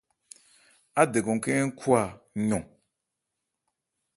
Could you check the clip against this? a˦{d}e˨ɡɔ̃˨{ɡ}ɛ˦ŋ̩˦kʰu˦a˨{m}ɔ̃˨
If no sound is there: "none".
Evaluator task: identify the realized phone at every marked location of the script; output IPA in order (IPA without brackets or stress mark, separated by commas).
d, k, ɲ